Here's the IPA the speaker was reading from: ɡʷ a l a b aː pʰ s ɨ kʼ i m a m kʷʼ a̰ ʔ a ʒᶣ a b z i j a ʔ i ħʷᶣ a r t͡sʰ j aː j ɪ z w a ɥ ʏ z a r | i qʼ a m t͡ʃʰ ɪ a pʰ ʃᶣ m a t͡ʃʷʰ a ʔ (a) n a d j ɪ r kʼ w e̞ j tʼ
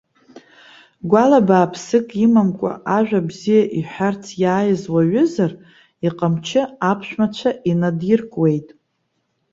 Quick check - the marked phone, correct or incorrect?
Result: incorrect: i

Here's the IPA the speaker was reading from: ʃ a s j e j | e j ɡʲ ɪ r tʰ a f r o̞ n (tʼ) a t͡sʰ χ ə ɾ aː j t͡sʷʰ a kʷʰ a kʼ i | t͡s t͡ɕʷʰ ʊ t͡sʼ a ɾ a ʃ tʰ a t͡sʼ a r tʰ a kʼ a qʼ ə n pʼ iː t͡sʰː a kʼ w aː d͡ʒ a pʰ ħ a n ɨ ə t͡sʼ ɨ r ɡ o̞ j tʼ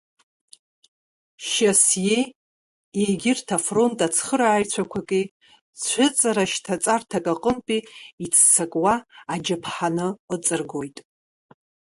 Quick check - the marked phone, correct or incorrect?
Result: correct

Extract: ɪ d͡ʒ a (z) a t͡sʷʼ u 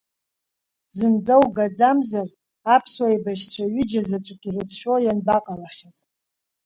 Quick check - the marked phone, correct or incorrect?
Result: correct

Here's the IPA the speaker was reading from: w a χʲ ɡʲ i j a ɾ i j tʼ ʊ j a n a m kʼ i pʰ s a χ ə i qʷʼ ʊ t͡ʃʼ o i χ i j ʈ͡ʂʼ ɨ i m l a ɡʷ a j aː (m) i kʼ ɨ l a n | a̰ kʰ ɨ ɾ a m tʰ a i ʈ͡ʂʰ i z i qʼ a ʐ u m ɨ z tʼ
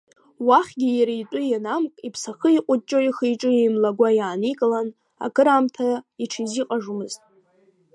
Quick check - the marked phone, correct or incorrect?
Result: incorrect: n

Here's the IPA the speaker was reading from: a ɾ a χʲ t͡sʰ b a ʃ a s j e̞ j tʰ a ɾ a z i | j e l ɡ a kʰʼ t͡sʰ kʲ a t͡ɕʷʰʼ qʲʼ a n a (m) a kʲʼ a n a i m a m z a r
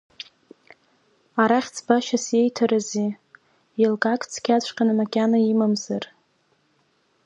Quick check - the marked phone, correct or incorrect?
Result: correct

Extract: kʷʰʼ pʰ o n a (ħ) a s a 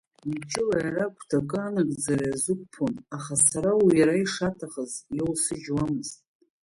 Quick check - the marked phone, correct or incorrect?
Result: incorrect: χ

